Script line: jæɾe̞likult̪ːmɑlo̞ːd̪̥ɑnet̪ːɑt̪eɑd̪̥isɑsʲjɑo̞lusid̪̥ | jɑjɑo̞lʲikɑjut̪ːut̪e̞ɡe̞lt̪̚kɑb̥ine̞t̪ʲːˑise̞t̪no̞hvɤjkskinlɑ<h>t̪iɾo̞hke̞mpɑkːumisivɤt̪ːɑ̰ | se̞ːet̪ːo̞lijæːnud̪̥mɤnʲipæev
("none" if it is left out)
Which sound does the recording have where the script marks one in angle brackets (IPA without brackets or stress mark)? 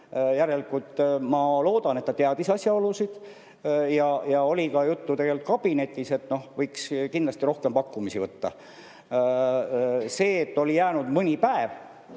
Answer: s